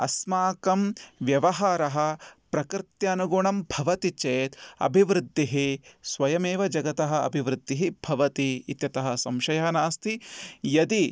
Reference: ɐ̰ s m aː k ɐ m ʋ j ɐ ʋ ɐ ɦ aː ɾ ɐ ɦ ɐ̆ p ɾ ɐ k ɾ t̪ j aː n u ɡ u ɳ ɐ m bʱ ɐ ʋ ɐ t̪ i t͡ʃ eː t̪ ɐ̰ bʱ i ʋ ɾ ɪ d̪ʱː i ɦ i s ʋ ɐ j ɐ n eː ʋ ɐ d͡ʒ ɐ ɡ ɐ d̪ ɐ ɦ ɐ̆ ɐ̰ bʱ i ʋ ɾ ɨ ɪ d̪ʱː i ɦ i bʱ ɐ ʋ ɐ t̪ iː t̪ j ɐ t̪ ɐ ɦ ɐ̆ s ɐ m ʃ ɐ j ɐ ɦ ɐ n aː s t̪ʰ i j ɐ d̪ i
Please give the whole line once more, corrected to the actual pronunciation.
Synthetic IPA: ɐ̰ s m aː k ɐ m ʋ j ɐ ʋ ɐ ɦ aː ɾ ɐ ɦ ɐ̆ p ɾ ɐ k ɾ t̪ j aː n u ɡ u ɳ ɐ m bʱ ɐ ʋ ɐ t̪ i t͡ʃ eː t̪ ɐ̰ bʱ i ʋ ɾ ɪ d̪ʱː i ɦ i s ʋ ɐ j ɐ m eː ʋ ɐ d͡ʒ ɐ ɡ ɐ t̪ ɐ ɦ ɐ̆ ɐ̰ bʱ i ʋ ɾ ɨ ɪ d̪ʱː i ɦ i bʱ ɐ ʋ ɐ t̪ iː t̪ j ɐ t̪ ɐ ɦ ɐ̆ s ɐ m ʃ ɐ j ɐ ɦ ɐ n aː s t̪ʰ i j ɐ d̪ i

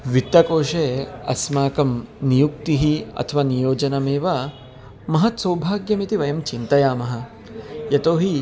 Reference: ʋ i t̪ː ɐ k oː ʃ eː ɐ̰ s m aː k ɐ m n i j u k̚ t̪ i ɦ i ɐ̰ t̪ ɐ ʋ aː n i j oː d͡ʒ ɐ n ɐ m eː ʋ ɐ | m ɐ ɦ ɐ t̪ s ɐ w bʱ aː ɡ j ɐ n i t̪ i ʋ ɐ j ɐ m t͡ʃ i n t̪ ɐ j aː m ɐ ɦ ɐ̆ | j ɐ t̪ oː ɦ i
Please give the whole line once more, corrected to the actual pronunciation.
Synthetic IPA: ʋ i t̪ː ɐ k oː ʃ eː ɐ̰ s m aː k ɐ m n i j u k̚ t̪ i ɦ i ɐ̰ t̪ʰ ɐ ʋ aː n i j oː d͡ʒ ɐ n ɐ m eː ʋ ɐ | m ɐ ɦ ɐ t̪ s ɐ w bʱ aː ɡ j ɐ m i t̪ i ʋ ɐ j ɐ m t͡ʃ i n t̪ ɐ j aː m ɐ ɦ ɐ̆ | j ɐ t̪ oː ɦ i

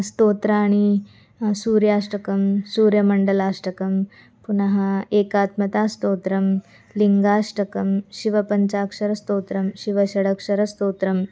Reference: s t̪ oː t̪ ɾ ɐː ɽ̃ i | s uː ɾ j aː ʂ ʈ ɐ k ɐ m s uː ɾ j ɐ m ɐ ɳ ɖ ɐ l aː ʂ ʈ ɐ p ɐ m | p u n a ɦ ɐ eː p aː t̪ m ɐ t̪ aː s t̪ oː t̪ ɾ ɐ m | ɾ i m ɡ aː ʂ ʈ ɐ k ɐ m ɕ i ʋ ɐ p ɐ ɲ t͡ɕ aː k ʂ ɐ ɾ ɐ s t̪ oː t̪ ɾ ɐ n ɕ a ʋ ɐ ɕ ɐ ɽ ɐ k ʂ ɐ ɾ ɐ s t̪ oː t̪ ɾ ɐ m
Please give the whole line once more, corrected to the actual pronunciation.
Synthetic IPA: s t̪ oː t̪ ɾ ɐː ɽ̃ i | s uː ɾ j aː ʂ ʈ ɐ k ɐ m s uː ɾ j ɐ m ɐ ɳ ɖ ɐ l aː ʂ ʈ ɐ k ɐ m | p u n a ɦ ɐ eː k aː t̪ m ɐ t̪ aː s t̪ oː t̪ ɾ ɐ m | l i ŋ ɡ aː ʂ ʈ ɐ k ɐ m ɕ i ʋ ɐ p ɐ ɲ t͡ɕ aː k ʂ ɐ ɾ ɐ s t̪ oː t̪ ɾ ɐ m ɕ i ʋ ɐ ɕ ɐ ɽ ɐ k ʂ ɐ ɾ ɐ s t̪ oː t̪ ɾ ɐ m

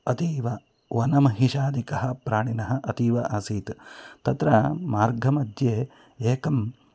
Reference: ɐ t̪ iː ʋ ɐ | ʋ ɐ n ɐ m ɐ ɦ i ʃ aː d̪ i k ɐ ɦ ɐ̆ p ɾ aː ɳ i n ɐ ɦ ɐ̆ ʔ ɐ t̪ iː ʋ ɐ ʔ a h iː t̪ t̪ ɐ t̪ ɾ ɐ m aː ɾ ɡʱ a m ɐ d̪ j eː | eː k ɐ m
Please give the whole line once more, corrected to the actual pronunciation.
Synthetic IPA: ɐ t̪ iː ʋ ɐ | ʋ ɐ n ɐ m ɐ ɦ i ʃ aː d̪ i k ɐ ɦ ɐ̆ p ɾ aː ɳ i n ɐ ɦ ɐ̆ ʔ ɐ t̪ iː ʋ ɐ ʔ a s iː t̪ t̪ ɐ t̪ ɾ ɐ m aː ɾ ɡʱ ɐ m ɐ d̪ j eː | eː k ɐ m

